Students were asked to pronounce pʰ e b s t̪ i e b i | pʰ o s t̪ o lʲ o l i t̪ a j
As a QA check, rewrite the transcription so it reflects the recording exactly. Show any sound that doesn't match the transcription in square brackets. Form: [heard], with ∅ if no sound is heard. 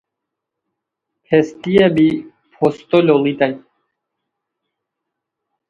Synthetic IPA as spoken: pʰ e [∅] s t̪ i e b i | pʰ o s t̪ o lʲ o l i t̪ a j